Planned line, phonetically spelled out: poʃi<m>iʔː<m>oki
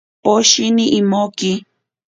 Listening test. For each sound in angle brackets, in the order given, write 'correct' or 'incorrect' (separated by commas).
incorrect, correct